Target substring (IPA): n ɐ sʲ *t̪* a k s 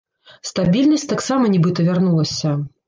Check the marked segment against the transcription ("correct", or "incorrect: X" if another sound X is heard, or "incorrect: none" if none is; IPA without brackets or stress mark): correct